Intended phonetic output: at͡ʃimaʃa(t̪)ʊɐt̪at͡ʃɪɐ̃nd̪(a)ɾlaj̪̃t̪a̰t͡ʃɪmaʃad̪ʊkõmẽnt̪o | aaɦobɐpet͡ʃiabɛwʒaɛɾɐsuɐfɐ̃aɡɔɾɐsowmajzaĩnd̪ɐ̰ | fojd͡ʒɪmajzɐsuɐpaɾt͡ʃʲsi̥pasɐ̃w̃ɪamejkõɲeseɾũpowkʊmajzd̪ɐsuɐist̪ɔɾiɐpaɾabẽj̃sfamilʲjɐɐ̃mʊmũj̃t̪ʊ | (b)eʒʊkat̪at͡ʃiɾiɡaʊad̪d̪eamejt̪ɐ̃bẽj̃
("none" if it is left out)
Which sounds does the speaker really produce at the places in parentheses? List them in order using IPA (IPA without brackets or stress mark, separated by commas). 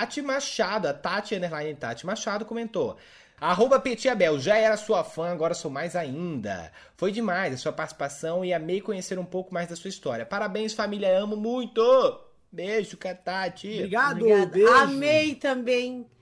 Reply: d̪, e, b